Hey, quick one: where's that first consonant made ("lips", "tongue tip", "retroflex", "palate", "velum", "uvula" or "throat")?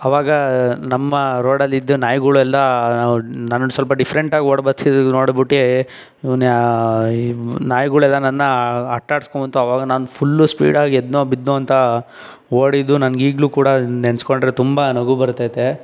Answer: lips